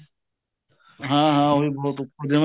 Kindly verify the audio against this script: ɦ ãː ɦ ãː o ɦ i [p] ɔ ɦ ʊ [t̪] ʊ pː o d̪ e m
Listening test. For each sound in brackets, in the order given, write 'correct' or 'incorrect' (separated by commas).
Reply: incorrect, correct